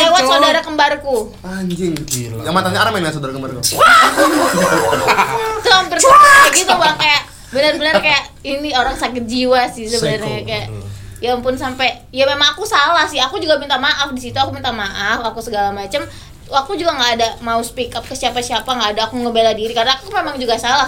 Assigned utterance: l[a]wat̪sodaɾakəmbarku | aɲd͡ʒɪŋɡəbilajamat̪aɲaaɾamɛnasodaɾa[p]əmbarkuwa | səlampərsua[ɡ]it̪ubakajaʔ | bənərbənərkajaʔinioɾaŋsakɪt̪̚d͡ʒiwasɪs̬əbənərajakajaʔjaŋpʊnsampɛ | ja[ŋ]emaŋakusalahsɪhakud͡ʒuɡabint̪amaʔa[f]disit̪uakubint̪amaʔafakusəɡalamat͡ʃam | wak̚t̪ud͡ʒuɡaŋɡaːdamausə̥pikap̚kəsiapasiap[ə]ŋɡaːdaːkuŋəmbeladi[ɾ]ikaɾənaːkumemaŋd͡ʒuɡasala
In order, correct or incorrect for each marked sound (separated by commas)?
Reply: incorrect, incorrect, correct, incorrect, correct, incorrect, correct